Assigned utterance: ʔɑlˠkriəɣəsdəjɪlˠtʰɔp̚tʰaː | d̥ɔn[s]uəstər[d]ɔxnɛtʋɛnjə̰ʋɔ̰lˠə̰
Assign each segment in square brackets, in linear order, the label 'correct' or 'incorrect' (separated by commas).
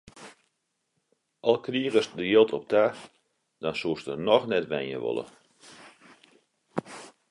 correct, incorrect